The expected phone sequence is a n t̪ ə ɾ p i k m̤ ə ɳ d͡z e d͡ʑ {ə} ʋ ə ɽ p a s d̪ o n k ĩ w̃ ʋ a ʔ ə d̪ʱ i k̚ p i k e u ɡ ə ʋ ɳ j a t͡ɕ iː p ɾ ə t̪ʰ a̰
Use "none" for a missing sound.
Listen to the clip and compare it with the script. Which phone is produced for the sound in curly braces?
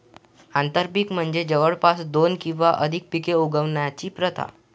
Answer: ə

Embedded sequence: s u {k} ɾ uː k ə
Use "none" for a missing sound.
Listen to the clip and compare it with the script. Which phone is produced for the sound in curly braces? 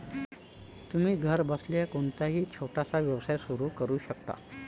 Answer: none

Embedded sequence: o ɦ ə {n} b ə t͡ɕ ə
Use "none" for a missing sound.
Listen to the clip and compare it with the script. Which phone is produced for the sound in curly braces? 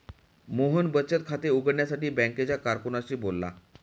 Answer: n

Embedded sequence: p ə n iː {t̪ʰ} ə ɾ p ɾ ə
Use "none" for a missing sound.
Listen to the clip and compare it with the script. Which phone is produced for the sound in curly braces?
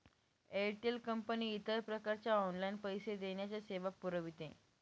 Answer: t̪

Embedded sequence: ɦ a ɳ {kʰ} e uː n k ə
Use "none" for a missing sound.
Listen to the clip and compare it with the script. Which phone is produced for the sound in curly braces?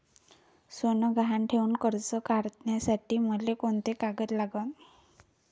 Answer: ʈʰ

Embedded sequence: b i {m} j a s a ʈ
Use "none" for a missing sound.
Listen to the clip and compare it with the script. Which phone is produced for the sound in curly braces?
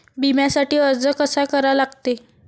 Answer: m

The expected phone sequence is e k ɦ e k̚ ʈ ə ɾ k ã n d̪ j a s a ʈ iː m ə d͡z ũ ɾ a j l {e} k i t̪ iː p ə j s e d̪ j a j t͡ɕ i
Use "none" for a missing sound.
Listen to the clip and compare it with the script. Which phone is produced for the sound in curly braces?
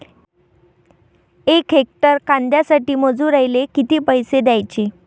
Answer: e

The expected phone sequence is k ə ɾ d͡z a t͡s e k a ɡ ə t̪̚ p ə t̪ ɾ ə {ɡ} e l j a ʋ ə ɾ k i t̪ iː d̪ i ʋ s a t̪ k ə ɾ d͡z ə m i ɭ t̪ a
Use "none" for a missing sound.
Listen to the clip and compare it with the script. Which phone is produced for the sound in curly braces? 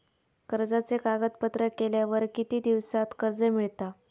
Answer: k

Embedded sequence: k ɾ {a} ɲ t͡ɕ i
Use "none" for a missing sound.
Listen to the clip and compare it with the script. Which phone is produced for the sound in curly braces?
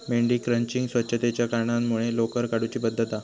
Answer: ə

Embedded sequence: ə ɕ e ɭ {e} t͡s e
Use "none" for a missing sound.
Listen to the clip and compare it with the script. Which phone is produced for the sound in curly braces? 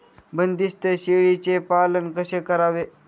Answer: i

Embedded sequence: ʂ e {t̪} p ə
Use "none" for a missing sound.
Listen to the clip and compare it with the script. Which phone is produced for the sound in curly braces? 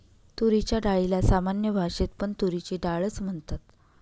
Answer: t̪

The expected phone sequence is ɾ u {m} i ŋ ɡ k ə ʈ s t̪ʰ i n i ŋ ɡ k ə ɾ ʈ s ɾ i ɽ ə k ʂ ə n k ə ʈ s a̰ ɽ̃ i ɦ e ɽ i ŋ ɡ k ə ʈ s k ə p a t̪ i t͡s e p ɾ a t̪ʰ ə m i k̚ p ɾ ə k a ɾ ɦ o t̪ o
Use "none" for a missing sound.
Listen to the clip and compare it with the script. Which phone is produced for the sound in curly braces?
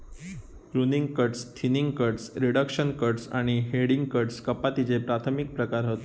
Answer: n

